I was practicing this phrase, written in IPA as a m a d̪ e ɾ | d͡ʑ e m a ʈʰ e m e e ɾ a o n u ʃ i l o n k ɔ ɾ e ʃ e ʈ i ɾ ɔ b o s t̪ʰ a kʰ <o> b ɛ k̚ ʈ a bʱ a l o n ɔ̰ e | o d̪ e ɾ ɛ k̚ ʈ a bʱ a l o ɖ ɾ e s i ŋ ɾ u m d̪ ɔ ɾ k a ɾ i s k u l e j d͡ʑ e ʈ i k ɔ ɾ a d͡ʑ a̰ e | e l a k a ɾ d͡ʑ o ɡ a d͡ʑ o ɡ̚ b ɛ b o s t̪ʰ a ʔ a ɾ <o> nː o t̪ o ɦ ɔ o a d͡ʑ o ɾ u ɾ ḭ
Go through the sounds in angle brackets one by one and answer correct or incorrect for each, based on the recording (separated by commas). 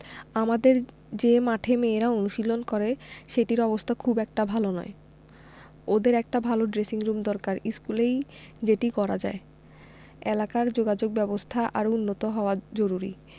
incorrect, incorrect